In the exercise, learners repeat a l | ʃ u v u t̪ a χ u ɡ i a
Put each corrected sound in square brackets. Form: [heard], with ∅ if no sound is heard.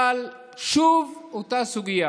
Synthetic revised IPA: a l | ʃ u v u t̪ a [s] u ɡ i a